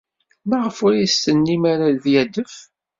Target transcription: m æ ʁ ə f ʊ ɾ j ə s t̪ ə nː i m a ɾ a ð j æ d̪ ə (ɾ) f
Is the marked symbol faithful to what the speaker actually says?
no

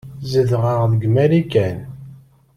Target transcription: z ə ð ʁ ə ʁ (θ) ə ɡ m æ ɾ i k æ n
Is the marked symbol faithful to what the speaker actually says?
no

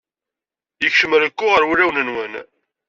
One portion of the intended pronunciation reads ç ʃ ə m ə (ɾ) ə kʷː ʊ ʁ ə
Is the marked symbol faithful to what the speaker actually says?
yes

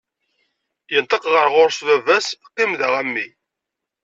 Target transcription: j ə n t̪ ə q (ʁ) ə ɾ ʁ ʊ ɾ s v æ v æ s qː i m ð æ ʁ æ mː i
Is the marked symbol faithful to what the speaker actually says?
yes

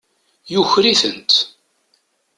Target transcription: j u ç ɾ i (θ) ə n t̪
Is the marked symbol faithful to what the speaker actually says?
yes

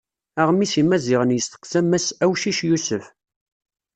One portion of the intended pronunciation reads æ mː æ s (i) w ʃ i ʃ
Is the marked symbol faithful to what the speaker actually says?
no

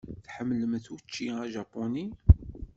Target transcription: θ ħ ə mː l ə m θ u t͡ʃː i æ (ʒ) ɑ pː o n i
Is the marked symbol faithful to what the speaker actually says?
yes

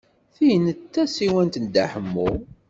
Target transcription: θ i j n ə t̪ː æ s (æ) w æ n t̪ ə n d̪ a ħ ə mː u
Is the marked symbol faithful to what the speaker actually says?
no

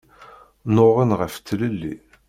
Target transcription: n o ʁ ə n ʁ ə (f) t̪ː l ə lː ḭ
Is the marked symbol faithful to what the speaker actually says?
yes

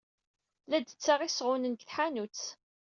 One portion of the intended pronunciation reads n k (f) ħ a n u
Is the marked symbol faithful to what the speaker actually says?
no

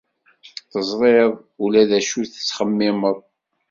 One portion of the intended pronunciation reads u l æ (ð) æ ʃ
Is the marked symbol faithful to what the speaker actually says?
yes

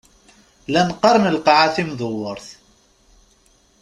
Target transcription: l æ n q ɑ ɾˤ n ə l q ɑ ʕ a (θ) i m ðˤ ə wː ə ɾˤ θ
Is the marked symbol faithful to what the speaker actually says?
yes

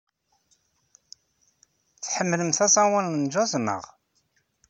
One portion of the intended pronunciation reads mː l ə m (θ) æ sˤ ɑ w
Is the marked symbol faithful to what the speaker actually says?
yes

